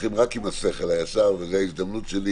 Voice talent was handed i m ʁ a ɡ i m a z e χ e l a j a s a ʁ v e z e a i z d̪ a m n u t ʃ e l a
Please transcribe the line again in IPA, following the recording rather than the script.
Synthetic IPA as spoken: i m ʁ a k i m a s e χ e l a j a s a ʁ v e z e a i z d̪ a m n u t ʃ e l i